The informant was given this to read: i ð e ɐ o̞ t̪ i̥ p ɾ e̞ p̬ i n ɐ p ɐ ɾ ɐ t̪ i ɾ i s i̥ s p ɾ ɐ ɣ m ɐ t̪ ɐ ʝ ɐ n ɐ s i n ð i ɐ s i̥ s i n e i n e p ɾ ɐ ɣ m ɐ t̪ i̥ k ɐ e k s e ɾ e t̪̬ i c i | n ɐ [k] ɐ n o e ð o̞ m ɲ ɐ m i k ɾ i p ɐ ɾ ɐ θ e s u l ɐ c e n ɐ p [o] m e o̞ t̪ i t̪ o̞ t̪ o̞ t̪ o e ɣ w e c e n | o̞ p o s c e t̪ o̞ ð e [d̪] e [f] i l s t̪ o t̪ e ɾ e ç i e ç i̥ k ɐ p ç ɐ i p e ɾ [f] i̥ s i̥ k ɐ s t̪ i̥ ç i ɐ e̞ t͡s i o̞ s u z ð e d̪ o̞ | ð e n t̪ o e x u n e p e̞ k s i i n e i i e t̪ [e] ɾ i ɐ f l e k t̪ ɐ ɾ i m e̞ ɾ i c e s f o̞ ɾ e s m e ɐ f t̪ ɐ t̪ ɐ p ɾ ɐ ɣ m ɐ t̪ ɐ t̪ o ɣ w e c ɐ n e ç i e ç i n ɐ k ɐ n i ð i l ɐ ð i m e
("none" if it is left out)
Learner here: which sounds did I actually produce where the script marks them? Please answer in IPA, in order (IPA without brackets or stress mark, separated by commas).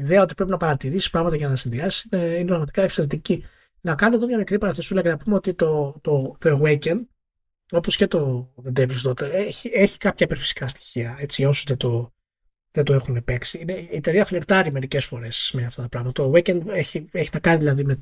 k, u, d̪, v, f, e